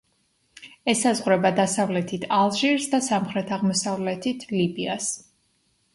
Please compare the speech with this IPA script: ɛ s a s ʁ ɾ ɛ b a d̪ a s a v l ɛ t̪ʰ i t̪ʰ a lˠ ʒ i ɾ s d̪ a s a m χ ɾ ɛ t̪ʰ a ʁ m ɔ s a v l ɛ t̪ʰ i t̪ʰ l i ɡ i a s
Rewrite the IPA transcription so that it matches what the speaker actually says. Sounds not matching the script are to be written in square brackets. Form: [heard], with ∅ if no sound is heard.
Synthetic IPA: ɛ s a [z] ʁ ɾ ɛ b a d̪ a s a v l ɛ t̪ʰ i t̪ʰ a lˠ ʒ i ɾ s d̪ a s a m χ ɾ ɛ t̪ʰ a ʁ m ɔ s a v l ɛ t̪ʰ i t̪ʰ l i [b] i a s